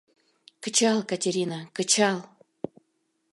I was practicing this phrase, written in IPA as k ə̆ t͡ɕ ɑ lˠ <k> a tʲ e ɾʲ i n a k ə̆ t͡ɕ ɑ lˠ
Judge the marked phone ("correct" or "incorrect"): correct